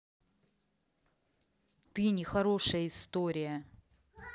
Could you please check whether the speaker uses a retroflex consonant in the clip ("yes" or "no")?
yes